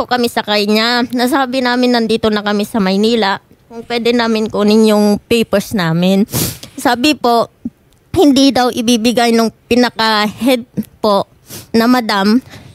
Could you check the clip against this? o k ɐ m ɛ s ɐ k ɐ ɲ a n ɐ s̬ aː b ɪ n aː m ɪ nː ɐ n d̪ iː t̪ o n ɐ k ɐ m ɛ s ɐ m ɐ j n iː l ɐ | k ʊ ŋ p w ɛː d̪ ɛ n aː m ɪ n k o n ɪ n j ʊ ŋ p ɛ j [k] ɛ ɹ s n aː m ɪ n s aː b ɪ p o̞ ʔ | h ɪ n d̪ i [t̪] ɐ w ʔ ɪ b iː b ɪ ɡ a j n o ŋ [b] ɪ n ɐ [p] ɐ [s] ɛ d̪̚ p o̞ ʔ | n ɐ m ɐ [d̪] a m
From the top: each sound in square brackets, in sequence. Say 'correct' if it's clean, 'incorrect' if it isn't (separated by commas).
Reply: incorrect, incorrect, incorrect, incorrect, incorrect, correct